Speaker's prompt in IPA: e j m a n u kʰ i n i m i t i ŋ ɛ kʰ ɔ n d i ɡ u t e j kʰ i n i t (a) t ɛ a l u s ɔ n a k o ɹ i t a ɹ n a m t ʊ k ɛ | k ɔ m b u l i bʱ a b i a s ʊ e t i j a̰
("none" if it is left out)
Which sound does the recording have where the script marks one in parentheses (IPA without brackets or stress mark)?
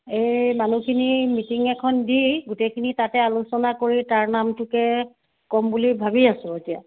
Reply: a